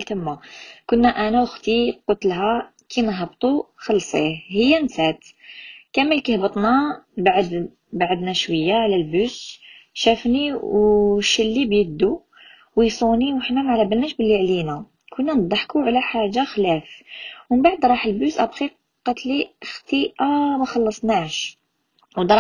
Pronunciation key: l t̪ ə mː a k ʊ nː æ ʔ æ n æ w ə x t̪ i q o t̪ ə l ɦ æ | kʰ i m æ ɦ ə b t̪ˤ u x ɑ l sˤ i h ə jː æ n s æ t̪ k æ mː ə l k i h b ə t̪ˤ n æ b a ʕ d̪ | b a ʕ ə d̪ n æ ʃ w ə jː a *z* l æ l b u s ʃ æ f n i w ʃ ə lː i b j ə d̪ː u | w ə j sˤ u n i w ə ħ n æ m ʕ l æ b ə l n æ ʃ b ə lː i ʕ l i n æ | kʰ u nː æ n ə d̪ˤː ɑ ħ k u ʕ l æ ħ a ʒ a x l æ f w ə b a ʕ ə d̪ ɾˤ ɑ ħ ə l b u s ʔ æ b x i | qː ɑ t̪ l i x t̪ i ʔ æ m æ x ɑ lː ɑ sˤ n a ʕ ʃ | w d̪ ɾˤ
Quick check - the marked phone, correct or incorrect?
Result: incorrect